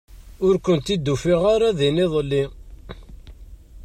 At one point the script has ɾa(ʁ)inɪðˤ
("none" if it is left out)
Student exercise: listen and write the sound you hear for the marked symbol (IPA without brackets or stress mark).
ð